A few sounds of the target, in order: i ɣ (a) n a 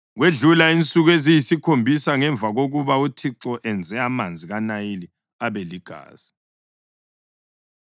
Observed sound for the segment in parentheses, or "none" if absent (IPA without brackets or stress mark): a